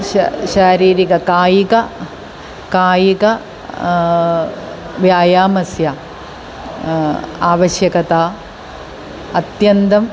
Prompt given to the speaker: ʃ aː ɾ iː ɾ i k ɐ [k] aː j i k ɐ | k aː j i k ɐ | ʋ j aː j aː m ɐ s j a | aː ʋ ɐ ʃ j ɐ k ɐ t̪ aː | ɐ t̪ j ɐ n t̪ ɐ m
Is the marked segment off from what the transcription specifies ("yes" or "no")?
no